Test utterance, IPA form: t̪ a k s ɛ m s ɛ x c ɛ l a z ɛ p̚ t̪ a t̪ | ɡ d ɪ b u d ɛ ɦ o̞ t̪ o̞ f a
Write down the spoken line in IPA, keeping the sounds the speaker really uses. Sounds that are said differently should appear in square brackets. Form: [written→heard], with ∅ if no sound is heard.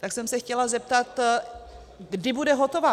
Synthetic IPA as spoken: t̪ a k s ɛ m s ɛ x c ɛ l a z ɛ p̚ t̪ a t̪ | ɡ d ɪ b u d ɛ ɦ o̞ t̪ o̞ [f→v] a